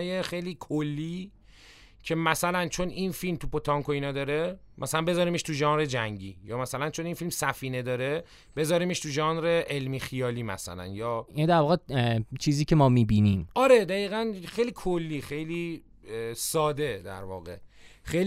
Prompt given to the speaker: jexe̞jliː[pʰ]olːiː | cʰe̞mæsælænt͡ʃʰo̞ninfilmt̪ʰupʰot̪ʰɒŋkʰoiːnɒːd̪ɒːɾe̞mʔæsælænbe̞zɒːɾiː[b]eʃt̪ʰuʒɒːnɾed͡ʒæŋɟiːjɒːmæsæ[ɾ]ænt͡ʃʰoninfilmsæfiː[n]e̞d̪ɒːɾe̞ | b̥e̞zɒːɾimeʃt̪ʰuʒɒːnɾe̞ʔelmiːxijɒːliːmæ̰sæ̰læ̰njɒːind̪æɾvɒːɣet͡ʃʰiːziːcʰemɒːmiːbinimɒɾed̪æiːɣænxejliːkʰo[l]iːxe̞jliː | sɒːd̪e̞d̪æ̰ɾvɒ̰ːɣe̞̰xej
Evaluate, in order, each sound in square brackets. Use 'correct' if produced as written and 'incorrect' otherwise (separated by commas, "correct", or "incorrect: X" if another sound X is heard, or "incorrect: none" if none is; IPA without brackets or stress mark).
incorrect: kʰ, incorrect: m, incorrect: l, correct, incorrect: lː